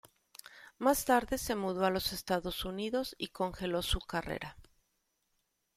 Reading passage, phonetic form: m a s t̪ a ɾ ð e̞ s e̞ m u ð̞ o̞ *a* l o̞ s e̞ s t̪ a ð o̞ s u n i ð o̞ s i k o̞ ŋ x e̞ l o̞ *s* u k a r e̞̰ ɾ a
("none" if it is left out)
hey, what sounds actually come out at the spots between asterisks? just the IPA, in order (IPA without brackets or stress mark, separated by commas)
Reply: a, s